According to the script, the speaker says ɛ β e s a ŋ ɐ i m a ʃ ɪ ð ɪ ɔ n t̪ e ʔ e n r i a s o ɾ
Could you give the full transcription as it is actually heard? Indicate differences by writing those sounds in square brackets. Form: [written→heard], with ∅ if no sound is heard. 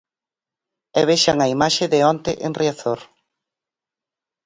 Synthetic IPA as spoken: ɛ β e [s→ʃ] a ŋ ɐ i m a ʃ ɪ ð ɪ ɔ n t̪ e ʔ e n r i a [s→θ] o ɾ